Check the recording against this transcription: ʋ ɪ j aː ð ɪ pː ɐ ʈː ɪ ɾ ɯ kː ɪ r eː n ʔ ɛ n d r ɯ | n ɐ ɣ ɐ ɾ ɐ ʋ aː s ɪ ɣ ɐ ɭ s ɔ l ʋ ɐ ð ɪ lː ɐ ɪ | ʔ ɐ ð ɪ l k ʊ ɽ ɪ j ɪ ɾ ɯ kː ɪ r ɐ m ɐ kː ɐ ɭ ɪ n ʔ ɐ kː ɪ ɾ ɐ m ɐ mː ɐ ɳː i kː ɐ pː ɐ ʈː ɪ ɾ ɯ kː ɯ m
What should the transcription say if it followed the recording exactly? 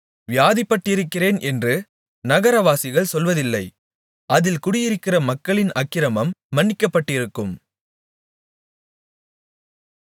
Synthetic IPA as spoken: ʋ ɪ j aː ð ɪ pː ɐ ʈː ɪ ɾ ɯ kː ɪ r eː n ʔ ɛ n d r ɯ | n ɐ ɣ ɐ ɾ ɐ ʋ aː s ɪ ɣ ɐ ɭ s ɔ l ʋ ɐ ð ɪ lː ɐ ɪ | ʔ ɐ ð ɪ l k ʊ ɽ ɪ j ɪ ɾ ɯ kː ɪ r ɐ m ɐ kː ɐ ɭ ɪ n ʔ ɐ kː ɪ ɾ ɐ m ɐ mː ɐ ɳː ɪ kː ɐ pː ɐ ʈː ɪ ɾ ɯ kː ɯ m